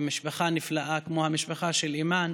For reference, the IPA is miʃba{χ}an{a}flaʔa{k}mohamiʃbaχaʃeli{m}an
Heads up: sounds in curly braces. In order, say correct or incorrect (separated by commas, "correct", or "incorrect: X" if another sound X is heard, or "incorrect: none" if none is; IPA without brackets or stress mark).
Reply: correct, incorrect: i, correct, correct